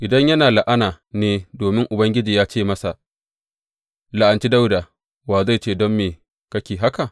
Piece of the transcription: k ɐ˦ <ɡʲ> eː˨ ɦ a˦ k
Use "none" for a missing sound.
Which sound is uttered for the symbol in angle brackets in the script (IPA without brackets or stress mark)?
kʲ